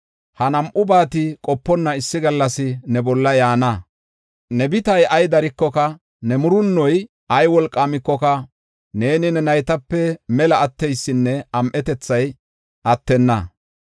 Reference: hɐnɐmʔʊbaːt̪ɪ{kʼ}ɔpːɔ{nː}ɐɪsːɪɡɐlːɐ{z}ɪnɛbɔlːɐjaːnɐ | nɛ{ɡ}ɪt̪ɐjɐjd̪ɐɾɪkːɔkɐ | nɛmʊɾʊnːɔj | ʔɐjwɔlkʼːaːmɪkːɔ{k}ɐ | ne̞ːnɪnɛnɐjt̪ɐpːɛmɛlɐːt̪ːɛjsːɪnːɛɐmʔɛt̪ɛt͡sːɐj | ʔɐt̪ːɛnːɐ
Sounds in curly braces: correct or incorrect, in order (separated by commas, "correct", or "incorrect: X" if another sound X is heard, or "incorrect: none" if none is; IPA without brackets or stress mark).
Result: correct, correct, incorrect: s, incorrect: b, correct